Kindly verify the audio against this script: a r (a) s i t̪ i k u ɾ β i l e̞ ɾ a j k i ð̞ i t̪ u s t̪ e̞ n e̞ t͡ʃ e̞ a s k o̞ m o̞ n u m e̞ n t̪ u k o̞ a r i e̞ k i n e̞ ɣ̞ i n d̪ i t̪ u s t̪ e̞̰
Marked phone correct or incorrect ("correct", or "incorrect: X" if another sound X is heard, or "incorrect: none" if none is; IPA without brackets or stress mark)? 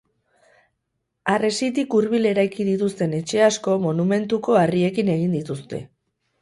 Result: incorrect: e